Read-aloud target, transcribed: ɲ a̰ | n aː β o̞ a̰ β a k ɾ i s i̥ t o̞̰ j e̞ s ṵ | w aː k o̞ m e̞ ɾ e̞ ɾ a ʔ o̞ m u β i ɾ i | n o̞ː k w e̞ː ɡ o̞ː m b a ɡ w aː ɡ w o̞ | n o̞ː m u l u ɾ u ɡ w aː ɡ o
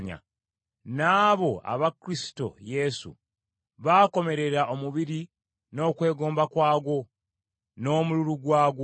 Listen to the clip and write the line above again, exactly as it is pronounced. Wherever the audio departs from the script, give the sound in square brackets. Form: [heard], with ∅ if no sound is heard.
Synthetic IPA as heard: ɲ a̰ | n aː β o̞ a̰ β a k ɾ i s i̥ t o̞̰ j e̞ s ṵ | [β] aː k o̞ m e̞ ɾ e̞ ɾ a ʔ o̞ m u β i ɾ i | n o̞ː k w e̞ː ɡ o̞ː m b a [k] w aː ɡ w o̞ | n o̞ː m u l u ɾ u ɡ w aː ɡ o